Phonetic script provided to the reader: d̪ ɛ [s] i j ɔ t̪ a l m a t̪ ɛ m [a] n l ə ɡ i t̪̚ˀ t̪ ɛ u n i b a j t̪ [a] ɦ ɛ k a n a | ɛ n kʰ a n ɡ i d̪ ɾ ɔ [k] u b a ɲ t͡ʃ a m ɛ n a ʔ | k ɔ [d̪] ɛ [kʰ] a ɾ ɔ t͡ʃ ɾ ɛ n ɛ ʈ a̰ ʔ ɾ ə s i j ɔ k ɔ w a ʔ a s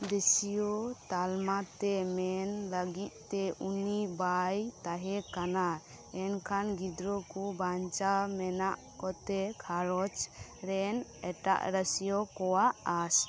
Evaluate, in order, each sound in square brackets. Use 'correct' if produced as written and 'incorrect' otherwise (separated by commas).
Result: correct, incorrect, correct, correct, incorrect, correct